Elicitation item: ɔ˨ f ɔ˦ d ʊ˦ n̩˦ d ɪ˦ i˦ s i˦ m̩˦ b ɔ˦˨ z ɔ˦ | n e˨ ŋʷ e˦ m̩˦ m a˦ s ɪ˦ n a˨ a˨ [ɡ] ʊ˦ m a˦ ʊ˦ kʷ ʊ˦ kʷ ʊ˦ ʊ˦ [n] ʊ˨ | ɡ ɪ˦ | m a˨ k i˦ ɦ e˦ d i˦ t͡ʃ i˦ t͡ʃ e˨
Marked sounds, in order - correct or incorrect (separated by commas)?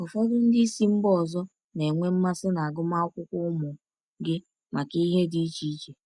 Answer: correct, incorrect